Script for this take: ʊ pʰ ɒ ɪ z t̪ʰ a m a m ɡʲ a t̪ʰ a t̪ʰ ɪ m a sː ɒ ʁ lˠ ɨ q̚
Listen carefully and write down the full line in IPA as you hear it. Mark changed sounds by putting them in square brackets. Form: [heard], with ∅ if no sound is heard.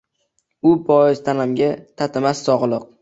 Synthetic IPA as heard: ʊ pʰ ɒ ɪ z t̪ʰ a [n] a m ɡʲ a t̪ʰ a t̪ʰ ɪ m a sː ɒ ʁ lˠ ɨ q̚